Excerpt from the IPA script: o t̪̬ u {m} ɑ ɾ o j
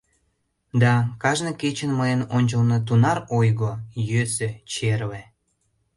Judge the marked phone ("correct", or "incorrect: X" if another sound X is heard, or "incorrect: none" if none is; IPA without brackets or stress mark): incorrect: n